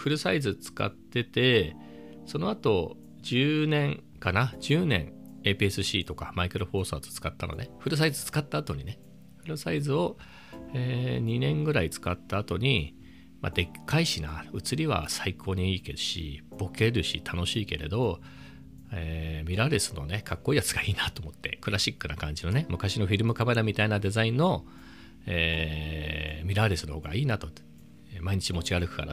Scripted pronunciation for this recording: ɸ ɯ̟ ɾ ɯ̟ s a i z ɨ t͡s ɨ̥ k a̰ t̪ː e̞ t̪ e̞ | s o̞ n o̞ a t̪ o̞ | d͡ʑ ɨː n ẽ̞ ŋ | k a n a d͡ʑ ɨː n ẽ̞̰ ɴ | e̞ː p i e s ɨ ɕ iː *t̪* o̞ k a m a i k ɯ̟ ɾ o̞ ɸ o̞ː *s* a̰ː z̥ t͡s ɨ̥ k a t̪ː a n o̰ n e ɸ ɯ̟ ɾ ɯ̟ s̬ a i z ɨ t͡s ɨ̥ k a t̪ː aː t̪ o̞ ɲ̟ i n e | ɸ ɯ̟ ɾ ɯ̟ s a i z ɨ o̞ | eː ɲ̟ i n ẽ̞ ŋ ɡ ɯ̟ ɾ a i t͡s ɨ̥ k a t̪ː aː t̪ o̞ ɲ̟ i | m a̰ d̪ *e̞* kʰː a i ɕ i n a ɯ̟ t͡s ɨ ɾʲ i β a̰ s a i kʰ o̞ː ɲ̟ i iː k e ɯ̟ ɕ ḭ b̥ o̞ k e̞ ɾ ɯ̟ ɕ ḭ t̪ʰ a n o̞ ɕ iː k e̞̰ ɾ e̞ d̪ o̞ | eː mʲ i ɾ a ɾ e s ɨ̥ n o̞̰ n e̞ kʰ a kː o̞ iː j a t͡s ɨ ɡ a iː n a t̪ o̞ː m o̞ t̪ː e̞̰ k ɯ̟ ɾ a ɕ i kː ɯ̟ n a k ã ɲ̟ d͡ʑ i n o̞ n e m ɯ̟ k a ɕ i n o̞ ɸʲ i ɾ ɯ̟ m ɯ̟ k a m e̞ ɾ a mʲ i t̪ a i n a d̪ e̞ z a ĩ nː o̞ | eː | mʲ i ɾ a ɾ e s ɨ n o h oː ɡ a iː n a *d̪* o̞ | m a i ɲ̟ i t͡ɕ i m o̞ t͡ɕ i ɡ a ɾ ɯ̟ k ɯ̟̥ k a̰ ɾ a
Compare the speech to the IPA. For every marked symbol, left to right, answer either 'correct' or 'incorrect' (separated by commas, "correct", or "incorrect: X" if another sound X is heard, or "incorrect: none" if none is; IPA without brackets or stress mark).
correct, correct, correct, incorrect: t̪